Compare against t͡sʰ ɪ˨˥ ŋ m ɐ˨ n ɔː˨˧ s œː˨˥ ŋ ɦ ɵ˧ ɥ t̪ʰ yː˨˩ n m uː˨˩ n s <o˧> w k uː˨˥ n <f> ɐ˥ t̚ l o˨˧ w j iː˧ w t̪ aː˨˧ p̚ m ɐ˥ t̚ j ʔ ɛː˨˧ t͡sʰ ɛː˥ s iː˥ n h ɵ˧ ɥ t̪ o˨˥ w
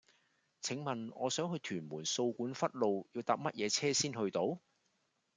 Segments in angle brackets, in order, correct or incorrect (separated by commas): correct, correct